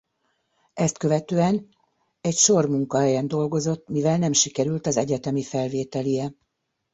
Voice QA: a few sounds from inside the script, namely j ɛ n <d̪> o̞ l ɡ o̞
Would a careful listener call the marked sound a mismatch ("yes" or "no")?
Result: no